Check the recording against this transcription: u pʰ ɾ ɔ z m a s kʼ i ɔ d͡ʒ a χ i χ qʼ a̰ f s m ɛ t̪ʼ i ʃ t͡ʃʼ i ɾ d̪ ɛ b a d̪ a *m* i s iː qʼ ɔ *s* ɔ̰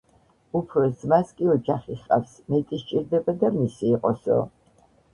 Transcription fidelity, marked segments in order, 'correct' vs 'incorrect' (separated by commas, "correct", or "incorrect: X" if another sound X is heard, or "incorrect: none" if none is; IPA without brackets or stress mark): correct, correct